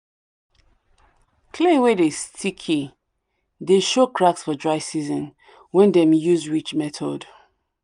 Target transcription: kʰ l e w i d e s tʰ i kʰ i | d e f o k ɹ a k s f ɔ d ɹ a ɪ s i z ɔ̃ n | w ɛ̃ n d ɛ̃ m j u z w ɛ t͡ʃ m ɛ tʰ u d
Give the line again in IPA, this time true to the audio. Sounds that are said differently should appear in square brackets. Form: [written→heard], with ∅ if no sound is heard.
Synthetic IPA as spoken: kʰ l e w [i→e] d e s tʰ i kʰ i | d e [f→ʃ] o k ɹ a k s f ɔ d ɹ a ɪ s i z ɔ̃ n | w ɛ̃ n d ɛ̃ m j u z w [ɛ→i] t͡ʃ m ɛ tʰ [u→ɔ] d